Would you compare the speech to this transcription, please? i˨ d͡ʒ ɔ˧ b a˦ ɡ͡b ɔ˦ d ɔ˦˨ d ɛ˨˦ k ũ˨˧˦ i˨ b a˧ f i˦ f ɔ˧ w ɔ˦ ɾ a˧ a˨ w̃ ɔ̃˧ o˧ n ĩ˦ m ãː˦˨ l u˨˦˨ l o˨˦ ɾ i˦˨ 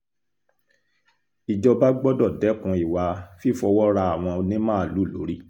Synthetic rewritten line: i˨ d͡ʒ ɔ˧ b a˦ ɡ͡b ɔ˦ d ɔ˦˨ d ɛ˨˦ k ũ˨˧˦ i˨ w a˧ f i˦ f ɔ˧ w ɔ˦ ɾ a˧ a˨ w̃ ɔ̃˧ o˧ n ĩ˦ m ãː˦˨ l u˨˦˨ l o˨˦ ɾ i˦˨

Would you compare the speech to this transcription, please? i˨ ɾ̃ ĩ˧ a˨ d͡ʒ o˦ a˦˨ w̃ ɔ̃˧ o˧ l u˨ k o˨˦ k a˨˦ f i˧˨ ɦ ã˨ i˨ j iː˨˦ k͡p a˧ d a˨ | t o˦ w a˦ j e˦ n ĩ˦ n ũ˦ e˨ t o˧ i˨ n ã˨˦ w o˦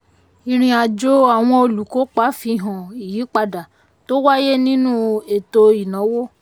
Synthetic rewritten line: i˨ ɾ̃ ĩ˧ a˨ d͡ʒ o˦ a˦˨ w̃ ɔ̃˧ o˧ l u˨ k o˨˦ k͡p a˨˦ f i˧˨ ɦ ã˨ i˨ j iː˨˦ k͡p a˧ d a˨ | t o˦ w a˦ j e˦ n ĩ˦ n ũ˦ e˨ t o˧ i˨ n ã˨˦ w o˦

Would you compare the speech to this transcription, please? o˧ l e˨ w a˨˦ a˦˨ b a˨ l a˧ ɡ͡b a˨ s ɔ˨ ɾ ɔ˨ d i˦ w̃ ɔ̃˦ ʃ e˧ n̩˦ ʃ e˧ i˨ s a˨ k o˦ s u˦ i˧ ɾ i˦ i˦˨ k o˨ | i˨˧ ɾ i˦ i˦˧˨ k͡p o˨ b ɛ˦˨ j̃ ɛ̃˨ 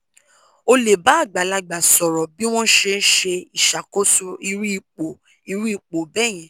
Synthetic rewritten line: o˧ l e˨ b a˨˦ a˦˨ ɡ͡b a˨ l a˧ ɡ͡b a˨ s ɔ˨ ɾ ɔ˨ b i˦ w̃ ɔ̃˦ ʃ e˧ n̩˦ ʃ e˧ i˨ ʃ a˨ k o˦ s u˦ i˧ ɾ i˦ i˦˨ k͡p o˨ | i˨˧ ɾ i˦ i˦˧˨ k͡p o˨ b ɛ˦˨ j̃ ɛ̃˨

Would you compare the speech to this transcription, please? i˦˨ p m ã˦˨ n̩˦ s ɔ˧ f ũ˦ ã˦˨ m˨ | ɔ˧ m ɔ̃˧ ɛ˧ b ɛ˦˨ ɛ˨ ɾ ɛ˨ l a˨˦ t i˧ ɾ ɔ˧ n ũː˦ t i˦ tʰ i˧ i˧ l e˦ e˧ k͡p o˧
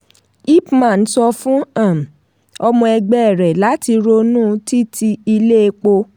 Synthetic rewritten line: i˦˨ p m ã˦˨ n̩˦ s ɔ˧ f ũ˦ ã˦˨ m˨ | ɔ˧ m ɔ̃˧ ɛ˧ ɡ͡b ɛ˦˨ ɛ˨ ɾ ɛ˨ l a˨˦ t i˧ ɾ o˧ n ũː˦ t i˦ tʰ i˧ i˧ l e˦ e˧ k͡p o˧

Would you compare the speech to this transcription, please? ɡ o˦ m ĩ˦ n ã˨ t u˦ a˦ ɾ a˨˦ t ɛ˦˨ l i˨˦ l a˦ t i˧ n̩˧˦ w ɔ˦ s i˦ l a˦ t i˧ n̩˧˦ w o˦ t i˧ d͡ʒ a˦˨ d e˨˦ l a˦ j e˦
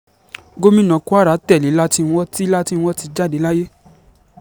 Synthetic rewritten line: ɡ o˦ m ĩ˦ n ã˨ k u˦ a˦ ɾ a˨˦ t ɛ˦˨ l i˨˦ l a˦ t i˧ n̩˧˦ w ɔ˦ t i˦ l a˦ t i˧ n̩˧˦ w ɔ˦ t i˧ d͡ʒ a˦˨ d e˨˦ l a˦ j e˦

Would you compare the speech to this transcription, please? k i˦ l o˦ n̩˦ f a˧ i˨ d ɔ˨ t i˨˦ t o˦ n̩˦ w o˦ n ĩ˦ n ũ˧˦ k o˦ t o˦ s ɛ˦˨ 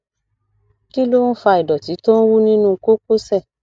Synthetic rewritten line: k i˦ l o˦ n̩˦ f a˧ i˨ d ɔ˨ t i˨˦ t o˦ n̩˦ w u˦ n ĩ˦ n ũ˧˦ k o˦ k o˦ s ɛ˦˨

